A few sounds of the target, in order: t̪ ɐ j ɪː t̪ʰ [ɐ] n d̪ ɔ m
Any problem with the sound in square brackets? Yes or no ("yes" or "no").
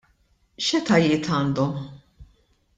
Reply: yes